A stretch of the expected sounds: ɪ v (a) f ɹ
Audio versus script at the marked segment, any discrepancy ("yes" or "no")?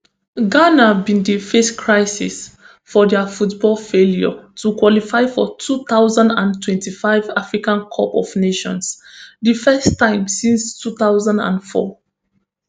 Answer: no